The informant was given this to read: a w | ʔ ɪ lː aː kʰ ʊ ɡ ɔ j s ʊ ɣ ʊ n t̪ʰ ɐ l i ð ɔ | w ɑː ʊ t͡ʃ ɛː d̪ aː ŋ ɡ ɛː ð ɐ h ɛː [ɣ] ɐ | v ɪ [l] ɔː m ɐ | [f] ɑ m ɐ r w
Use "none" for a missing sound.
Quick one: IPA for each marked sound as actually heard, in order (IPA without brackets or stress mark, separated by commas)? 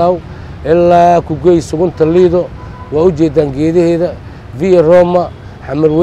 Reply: ð, r, ħ